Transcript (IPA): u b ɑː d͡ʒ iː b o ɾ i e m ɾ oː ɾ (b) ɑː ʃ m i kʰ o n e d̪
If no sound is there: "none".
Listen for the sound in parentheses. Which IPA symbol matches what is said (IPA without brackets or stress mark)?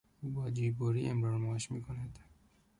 m